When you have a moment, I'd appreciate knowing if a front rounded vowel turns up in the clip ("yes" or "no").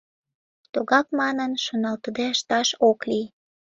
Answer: no